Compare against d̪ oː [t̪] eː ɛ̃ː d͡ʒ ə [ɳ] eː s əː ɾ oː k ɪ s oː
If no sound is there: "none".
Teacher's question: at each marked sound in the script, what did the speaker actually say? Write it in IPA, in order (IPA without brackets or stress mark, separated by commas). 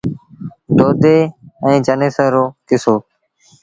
d̪, n